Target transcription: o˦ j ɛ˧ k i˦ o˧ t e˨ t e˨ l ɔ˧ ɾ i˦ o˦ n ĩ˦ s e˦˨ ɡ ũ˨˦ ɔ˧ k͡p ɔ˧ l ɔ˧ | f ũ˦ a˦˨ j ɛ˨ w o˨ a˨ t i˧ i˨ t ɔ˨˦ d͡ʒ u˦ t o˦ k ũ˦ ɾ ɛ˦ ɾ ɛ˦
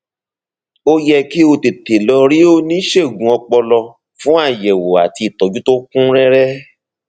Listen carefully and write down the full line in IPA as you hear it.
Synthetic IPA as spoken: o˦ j ɛ˧ k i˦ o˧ t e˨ t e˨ l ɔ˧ ɾ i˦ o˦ n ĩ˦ ʃ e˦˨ ɡ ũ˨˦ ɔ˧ k͡p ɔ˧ l ɔ˧ | f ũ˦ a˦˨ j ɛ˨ w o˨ a˨ t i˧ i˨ t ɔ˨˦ d͡ʒ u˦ t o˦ k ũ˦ ɾ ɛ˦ ɾ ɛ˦